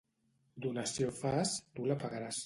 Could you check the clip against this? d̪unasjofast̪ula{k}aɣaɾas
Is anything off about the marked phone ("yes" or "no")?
yes